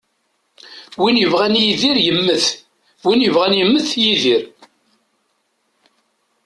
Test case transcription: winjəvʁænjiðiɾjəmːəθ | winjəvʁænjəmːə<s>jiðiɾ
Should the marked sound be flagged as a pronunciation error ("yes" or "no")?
yes